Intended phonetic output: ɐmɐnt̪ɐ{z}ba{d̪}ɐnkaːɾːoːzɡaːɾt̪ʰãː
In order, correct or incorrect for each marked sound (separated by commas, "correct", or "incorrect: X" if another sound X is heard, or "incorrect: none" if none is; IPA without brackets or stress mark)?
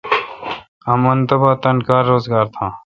incorrect: none, incorrect: t̪